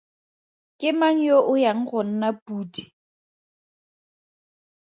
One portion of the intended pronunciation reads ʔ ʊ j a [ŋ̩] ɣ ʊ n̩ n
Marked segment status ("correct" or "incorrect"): correct